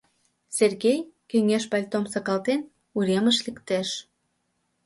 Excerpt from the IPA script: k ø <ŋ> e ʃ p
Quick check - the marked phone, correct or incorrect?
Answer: correct